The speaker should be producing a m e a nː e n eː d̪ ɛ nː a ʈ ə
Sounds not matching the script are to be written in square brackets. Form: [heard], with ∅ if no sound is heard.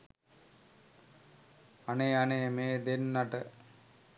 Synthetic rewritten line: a [n] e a [n] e [m] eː d̪ [e] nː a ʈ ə